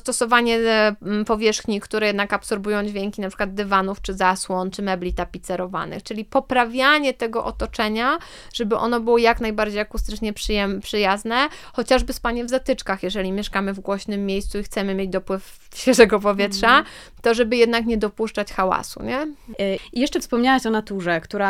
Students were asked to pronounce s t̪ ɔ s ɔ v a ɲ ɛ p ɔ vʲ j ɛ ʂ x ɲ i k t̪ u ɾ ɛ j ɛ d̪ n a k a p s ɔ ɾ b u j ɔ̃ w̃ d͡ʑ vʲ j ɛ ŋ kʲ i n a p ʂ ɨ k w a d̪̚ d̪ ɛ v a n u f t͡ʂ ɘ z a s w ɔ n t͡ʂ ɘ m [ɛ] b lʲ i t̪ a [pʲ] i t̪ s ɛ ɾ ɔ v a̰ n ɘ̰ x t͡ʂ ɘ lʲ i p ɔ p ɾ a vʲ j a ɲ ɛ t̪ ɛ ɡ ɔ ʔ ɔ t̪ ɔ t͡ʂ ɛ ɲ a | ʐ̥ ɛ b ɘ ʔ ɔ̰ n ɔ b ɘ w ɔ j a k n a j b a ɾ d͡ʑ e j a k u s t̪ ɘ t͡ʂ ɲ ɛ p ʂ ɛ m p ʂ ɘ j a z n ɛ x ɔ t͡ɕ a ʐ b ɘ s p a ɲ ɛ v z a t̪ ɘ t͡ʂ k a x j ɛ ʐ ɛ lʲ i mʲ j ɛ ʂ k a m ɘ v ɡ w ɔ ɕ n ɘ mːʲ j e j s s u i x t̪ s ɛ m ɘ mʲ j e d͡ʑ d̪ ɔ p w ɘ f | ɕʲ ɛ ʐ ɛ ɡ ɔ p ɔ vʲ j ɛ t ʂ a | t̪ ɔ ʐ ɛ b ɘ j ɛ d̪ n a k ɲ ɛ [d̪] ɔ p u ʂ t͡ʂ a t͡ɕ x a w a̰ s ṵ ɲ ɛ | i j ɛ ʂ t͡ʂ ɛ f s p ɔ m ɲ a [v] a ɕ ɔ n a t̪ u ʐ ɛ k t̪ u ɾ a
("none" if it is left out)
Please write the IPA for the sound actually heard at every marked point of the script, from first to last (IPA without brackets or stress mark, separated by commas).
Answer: ɛ, pʲ, d̪, w